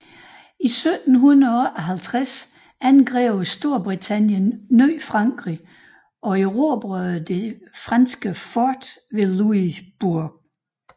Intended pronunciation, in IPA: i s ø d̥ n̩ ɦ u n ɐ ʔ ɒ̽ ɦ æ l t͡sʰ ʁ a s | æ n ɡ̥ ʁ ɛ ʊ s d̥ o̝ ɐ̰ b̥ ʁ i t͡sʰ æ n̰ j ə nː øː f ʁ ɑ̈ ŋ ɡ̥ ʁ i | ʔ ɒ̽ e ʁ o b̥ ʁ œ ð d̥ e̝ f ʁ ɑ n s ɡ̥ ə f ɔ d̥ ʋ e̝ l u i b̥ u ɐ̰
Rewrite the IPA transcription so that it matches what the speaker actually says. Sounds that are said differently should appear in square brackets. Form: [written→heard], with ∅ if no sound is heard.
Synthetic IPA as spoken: i s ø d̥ n̩ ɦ u n ɐ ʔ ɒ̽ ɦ æ l t͡sʰ ʁ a s | æ n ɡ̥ ʁ ɛ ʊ s d̥ o̝ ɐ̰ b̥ ʁ i t͡sʰ æ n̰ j ə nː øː f ʁ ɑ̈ ŋ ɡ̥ ʁ i | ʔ ɒ̽ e ʁ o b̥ ʁ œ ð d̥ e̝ f ʁ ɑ n s ɡ̥ ə f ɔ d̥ ʋ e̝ l u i b̥ u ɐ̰